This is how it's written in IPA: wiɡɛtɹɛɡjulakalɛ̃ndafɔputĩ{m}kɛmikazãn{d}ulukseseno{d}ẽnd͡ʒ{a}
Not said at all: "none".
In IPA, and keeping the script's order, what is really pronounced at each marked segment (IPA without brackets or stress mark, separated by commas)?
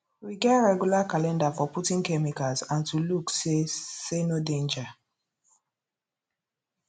ŋ, t, d, a